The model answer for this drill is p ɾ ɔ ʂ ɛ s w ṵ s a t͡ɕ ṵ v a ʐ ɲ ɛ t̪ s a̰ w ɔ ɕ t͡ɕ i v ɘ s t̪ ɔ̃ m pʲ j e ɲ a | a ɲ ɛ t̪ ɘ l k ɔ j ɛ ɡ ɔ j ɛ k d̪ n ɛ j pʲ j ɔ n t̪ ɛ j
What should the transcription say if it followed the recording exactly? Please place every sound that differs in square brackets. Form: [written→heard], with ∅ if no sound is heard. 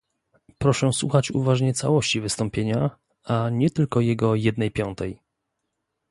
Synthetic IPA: p ɾ ɔ ʂ ɛ s w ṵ [s→x] a t͡ɕ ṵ v a ʐ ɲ ɛ t̪ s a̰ w ɔ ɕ t͡ɕ i v ɘ s t̪ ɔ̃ m pʲ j e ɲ a | a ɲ ɛ t̪ ɘ l k ɔ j ɛ ɡ ɔ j ɛ [k→∅] d̪ n ɛ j pʲ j ɔ n t̪ ɛ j